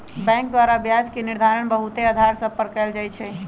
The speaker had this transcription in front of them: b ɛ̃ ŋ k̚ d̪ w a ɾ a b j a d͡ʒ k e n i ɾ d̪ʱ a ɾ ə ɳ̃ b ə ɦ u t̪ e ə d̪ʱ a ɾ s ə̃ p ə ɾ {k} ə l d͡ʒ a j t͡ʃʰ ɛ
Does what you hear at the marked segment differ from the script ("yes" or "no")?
no